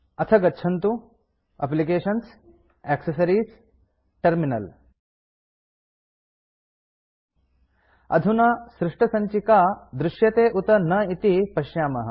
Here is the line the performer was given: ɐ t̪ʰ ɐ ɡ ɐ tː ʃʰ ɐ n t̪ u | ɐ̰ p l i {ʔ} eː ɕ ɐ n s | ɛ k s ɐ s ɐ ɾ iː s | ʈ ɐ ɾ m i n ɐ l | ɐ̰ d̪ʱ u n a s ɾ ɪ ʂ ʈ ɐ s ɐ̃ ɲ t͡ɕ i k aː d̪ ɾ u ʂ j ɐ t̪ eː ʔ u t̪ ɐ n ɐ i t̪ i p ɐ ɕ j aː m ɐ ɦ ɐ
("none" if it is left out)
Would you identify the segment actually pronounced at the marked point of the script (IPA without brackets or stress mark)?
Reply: k